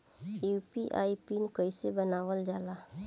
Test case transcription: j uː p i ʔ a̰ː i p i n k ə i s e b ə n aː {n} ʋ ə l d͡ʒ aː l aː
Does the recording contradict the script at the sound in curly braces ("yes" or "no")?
yes